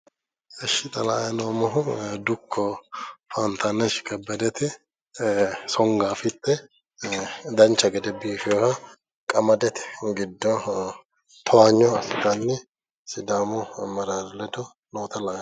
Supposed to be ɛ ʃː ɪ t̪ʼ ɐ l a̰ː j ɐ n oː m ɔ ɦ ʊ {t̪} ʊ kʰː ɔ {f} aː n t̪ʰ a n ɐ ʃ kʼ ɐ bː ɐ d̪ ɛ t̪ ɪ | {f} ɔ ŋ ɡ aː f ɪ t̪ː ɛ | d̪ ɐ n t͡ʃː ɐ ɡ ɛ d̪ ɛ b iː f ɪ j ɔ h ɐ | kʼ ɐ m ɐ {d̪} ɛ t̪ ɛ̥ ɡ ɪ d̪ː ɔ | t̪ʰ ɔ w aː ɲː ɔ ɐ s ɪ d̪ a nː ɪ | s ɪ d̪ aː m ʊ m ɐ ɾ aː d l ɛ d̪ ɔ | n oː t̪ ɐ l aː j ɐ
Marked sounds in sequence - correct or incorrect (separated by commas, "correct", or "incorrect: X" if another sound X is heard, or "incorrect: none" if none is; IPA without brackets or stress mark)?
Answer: incorrect: d̪, correct, incorrect: s, correct